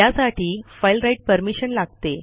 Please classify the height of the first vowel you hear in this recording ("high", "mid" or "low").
low